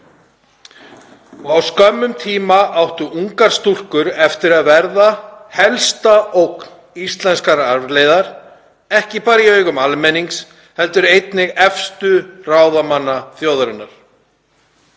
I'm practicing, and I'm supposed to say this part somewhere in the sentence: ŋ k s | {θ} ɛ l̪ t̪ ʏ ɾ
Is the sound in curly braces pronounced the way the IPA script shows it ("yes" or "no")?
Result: no